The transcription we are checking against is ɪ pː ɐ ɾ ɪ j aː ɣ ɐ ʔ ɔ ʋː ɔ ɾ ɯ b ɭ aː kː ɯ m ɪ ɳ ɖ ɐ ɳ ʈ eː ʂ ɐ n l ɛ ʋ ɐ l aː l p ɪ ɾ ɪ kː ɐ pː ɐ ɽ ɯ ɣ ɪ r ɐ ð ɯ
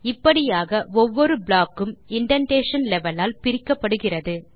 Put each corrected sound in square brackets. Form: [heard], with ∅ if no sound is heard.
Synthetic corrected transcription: ɪ pː ɐ [ɽ] ɪ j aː ɣ ɐ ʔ ɔ ʋː ɔ ɾ ɯ b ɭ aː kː ɯ m ɪ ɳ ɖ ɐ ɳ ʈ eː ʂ ɐ n l ɛ ʋ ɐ l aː l p ɪ ɾ ɪ kː ɐ pː ɐ ɽ ɯ ɣ ɪ r ɐ ð ɯ

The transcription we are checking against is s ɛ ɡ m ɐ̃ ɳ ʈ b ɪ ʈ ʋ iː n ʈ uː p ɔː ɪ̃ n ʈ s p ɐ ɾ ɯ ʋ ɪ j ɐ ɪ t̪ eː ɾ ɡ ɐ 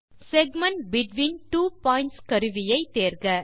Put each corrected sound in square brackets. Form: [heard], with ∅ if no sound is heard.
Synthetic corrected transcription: s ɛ ɡ m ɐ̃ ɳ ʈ b ɪ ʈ ʋ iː n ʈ uː p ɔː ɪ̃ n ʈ s [k] ɐ ɾ ɯ ʋ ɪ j ɐ ɪ t̪ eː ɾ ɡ ɐ

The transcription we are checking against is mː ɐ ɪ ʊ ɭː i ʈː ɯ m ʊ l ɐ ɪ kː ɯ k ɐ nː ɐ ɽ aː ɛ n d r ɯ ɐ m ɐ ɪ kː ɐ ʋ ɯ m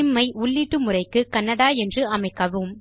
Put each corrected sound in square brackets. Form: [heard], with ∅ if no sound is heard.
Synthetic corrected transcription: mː ɐ ɪ ʊ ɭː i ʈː ɯ m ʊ [r] ɐ ɪ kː ɯ k ɐ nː ɐ ɽ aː ɛ n d r ɯ ɐ m ɐ ɪ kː ɐ ʋ ɯ m

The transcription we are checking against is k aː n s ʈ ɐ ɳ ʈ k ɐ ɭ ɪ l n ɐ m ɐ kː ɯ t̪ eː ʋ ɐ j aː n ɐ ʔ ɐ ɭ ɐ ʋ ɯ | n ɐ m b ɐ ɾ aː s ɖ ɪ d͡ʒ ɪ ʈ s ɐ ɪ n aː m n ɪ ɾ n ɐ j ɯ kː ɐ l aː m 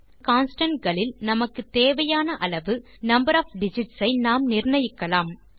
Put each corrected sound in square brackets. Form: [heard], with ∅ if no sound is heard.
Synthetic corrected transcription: k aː n s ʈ ɐ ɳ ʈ [ɡ] ɐ ɭ ɪ l n ɐ m ɐ kː ɯ t̪ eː ʋ ɐ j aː n ɐ ʔ ɐ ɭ ɐ ʋ ɯ | n ɐ m b ɐ ɾ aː [f] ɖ ɪ d͡ʒ ɪ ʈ s ɐ ɪ n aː m n ɪ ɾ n ɐ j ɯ kː ɐ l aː m

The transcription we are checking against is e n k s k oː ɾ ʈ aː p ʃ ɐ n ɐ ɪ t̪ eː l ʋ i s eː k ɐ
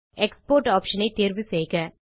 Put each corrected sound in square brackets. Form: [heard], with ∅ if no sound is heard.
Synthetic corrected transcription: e [∅] k s [p] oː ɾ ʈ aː p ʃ ɐ n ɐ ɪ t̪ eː [ɾ] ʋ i s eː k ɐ

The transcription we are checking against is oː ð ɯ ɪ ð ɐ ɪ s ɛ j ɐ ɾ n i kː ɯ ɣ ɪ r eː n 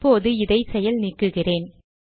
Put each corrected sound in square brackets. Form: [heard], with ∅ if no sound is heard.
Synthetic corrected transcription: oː ð ɯ ɪ ð ɐ ɪ s ɛ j ɐ [l] n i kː ɯ ɣ ɪ r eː n

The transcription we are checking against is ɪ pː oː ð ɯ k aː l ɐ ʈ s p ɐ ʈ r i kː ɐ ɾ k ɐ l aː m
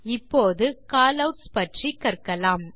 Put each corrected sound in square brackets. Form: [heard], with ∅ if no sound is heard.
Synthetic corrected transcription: ɪ pː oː ð ɯ k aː l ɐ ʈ s p ɐ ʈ r i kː ɐ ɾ k ɐ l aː m

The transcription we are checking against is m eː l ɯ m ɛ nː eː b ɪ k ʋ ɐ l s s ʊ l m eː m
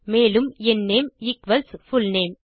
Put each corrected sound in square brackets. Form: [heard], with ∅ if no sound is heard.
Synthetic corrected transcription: m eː l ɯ m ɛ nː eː [m] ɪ k ʋ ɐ l s [f] ʊ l [n] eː m

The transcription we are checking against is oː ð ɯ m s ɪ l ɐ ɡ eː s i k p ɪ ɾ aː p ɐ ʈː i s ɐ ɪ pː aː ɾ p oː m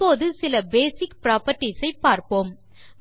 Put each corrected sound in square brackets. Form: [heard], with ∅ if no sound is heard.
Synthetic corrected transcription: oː ð ɯ [∅] s ɪ l ɐ [b] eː s [ɪ] k p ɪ ɾ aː p ɐ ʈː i s ɐ ɪ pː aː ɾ p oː m

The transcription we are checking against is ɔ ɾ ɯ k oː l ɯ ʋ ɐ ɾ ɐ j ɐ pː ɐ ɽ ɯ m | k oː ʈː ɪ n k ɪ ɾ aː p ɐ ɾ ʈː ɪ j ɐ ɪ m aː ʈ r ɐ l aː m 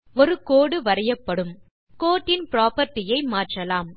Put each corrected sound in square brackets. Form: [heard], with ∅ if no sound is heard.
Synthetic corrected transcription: ɔ ɾ ɯ k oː [ɽ] ɯ ʋ ɐ ɾ ɐ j ɐ pː ɐ ɽ ɯ m | k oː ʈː ɪ n [p] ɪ ɾ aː p ɐ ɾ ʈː ɪ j ɐ ɪ m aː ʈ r ɐ l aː m

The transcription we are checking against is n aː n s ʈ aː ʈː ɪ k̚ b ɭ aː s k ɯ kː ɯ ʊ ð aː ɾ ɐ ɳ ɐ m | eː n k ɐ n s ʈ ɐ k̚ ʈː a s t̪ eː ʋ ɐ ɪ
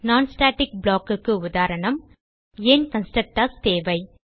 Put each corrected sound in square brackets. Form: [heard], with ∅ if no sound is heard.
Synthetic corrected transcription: n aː n s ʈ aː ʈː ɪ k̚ b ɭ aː [∅] k ɯ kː ɯ ʊ ð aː ɾ ɐ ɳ ɐ m | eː n k ɐ n s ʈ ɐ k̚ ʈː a s t̪ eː ʋ ɐ ɪ

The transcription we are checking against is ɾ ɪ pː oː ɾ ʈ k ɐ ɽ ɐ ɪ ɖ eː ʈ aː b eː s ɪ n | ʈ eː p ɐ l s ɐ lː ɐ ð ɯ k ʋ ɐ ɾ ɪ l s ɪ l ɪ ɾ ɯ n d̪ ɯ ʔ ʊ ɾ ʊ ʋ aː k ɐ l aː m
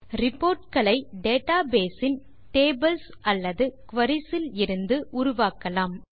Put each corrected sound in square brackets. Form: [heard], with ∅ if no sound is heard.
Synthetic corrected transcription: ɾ ɪ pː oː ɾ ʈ k ɐ [ɭ] ɐ ɪ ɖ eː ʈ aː b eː s ɪ n | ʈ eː [b] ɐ l s ɐ lː ɐ ð ɯ k ʋ ɐ ɾ ɪ [∅] s ɪ l ɪ ɾ ɯ n d̪ ɯ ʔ ʊ ɾ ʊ ʋ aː k ɐ l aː m

